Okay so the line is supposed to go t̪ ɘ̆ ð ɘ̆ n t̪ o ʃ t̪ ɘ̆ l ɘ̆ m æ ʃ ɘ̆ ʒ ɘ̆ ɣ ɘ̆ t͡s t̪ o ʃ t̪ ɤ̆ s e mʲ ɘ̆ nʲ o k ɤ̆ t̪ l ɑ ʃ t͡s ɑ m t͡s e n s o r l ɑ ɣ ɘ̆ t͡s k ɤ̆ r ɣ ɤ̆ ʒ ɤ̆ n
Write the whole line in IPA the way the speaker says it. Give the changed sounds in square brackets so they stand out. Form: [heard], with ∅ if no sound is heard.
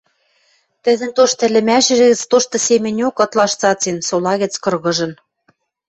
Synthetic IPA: t̪ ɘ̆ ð ɘ̆ n t̪ o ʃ t̪ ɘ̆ l ɘ̆ m æ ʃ ɘ̆ ʒ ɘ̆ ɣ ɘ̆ t͡s t̪ o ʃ t̪ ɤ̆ s e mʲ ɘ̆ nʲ o k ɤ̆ t̪ l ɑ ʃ t͡s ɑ [∅] t͡s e n s o [∅] l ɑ ɣ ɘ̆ t͡s k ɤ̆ r ɣ ɤ̆ ʒ ɤ̆ n